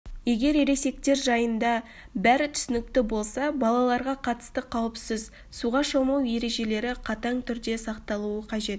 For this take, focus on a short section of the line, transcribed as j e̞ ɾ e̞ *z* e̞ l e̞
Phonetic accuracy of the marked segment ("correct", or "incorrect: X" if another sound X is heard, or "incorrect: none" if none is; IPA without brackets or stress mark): incorrect: ʒ